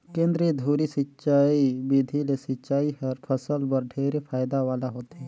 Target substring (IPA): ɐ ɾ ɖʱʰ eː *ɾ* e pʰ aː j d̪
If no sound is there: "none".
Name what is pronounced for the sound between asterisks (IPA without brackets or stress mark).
ɾ